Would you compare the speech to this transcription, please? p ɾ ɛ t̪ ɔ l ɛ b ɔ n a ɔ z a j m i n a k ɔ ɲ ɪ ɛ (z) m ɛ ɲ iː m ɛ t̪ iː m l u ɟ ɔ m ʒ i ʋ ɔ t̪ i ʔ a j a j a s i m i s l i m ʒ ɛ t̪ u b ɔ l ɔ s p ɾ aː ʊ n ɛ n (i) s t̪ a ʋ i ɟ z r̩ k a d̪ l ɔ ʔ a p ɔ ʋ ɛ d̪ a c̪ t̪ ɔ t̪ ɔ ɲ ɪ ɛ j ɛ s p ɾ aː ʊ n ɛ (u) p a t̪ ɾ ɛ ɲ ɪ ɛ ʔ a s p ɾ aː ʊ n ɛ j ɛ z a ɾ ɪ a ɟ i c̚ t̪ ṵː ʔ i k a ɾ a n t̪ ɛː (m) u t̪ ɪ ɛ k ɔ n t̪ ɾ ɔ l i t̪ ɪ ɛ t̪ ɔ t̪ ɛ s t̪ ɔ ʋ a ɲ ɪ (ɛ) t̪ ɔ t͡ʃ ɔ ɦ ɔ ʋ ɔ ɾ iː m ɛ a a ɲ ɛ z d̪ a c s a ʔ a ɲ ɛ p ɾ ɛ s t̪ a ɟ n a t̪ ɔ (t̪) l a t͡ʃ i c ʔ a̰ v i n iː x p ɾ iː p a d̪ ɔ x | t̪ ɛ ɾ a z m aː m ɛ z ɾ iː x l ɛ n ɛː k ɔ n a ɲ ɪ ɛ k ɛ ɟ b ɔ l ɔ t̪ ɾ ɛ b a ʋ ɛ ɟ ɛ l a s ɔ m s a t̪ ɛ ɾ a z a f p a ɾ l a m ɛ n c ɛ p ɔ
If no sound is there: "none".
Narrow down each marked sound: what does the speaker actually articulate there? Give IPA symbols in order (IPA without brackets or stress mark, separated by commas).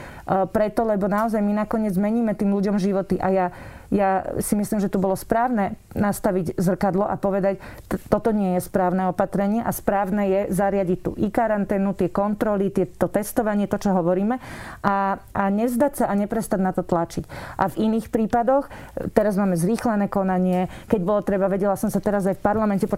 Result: d͡z, a, ɔ, n, ɛ, t̪